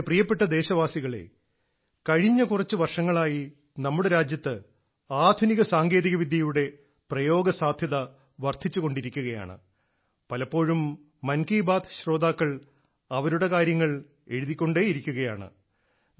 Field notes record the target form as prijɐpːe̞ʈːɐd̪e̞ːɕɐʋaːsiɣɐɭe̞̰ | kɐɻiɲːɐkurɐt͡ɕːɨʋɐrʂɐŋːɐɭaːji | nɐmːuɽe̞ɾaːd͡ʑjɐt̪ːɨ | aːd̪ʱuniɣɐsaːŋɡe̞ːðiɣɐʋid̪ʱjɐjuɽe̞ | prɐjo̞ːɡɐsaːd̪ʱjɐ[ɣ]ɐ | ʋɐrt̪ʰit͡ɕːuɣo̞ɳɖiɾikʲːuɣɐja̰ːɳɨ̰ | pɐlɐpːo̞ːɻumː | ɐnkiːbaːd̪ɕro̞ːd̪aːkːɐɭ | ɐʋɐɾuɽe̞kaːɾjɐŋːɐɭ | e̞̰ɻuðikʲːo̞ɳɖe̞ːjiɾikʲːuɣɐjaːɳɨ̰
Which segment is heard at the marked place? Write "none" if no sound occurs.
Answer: ð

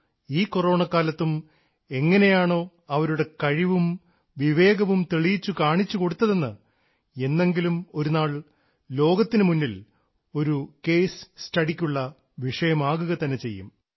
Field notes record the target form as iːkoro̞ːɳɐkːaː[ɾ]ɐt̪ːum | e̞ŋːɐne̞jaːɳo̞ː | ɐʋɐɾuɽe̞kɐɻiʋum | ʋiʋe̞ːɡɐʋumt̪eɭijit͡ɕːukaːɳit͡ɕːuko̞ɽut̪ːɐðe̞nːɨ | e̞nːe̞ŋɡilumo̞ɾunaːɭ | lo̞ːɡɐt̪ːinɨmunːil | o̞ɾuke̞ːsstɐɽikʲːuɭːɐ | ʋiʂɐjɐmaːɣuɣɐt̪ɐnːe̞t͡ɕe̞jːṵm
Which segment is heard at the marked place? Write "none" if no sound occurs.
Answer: l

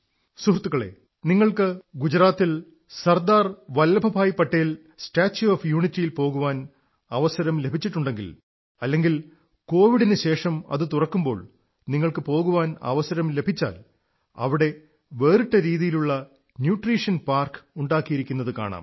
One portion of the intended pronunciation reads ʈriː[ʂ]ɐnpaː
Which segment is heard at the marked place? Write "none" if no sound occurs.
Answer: ʂ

